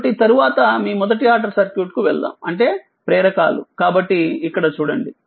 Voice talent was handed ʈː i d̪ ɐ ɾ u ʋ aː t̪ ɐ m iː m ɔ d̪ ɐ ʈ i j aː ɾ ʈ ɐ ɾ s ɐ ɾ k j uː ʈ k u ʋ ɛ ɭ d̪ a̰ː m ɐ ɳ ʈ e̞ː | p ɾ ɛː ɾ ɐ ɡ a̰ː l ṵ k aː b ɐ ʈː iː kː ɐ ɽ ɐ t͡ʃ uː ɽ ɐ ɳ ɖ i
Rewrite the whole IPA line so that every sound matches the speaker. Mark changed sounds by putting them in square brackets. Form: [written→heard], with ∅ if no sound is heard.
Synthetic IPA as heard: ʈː i [d̪→t̪] ɐ ɾ u ʋ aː t̪ ɐ m iː m ɔ d̪ ɐ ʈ i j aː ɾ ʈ ɐ ɾ s ɐ ɾ k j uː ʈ k u ʋ ɛ ɭ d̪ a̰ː m ɐ ɳ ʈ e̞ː | p ɾ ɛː ɾ ɐ [ɡ→k] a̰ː l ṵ k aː b ɐ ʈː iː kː ɐ ɽ ɐ t͡ʃ uː ɽ ɐ ɳ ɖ i